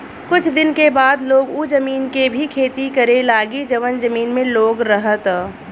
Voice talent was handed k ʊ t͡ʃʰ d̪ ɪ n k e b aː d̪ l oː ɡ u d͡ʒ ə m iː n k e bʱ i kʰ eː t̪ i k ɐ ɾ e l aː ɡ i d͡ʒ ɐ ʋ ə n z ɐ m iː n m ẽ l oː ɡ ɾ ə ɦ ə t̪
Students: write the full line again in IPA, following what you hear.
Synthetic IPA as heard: k ʊ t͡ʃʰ d̪ ɪ n k e b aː d̪ l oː ɡ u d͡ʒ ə m iː n k e bʱ i kʰ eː t̪ i k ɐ ɾ e l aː ɡ i d͡ʒ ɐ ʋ ə n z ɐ m iː n m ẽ l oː ɡ ɾ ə ɦ ə t̪